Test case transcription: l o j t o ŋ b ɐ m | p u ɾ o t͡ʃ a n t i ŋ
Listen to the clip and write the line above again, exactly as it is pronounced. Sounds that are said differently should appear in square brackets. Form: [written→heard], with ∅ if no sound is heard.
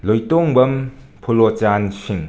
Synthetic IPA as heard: l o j t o ŋ b ɐ m | [p→pʰ] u [ɾ→l] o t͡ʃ a n [t→s] i ŋ